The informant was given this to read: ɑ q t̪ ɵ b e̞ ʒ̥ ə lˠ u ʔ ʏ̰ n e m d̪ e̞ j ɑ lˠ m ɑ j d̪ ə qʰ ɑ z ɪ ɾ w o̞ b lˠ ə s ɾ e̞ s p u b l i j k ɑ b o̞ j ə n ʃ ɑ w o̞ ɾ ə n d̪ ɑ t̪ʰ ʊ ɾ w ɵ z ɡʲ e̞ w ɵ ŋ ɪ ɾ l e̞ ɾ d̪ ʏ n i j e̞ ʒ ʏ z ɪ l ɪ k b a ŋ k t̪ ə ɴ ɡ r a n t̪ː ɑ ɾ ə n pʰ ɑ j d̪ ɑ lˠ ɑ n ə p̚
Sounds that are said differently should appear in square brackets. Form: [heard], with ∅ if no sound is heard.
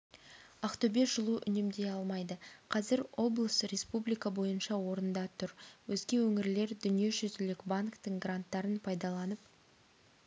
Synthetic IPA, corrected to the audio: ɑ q t̪ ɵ b e̞ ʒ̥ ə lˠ u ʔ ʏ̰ n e m d̪ e̞ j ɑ lˠ m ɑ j d̪ ə qʰ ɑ z ɪ ɾ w o̞ b lˠ ə s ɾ e̞ s p u b l i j k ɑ b o̞ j ə n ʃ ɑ w o̞ ɾ ə n d̪ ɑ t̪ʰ ʊ ɾ w ɵ z ɡʲ e̞ w ɵ ŋ ɪ ɾ l e̞ ɾ d̪ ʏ n i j e̞ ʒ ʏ z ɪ l ɪ k b a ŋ k t̪ ə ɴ ɡ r a n t̪ː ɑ ɾ ə n pʰ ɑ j d̪ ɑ lˠ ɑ n ə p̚